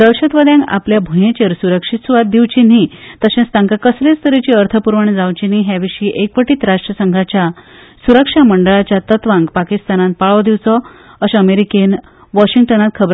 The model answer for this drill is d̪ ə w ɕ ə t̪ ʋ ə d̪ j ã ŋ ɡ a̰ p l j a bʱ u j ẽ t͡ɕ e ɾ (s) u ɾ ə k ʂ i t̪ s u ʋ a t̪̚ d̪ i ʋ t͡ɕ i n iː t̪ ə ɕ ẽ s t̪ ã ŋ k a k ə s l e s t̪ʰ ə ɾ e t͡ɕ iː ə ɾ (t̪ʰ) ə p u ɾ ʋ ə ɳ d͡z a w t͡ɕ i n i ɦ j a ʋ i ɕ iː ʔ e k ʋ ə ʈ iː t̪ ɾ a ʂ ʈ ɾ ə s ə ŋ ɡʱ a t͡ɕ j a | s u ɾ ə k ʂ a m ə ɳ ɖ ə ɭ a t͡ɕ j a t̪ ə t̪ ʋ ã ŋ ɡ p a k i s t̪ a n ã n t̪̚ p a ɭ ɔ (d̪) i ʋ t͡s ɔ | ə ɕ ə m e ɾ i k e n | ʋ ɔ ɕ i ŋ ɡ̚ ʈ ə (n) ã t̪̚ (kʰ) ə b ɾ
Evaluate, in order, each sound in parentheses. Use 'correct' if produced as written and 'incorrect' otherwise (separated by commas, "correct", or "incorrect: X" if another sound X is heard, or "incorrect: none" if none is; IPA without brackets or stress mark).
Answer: correct, correct, correct, correct, correct